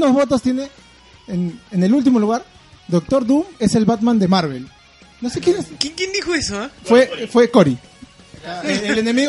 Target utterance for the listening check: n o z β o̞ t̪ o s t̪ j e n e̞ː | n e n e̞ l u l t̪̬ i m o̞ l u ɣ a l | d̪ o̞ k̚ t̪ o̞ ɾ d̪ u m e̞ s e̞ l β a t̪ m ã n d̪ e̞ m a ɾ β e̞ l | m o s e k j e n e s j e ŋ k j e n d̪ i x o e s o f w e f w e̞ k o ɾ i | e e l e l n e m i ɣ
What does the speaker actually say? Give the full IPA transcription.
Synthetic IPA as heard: n o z β o̞ t̪ o s t̪ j e n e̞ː | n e n e̞ l u l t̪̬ i m o̞ l u ɣ a ɾ | d̪ o̞ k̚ t̪ o̞ ɾ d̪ u m e̞ s e̞ l β a t̪ m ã n d̪ e̞ m a ɾ β e̞ l | n o s e k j e n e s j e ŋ k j e n d̪ i x o e s o f w e f w e̞ k o ɾ i | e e l e n e m i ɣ